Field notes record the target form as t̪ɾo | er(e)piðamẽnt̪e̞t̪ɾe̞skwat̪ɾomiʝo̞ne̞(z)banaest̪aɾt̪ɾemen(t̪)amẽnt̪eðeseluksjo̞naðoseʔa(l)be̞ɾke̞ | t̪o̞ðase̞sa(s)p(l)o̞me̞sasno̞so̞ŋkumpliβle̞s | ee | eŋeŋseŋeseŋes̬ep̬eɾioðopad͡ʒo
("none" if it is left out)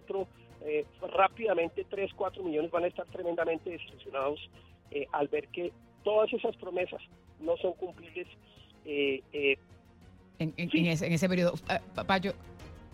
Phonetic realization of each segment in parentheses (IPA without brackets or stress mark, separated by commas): a, z, d̪, l, s, ɾ